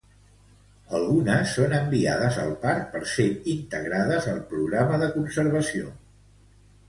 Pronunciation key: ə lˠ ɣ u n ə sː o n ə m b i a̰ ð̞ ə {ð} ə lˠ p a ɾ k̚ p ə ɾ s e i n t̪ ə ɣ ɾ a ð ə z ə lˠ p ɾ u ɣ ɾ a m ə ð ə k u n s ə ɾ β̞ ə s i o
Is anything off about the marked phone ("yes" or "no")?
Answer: yes